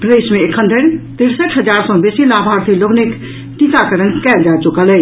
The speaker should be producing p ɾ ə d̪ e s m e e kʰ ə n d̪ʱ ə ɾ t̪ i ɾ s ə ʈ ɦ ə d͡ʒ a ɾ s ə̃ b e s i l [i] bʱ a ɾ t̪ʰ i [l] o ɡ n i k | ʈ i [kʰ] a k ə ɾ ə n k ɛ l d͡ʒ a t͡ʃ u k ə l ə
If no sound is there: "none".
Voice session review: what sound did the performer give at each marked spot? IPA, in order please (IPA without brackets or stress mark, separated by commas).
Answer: a, l, k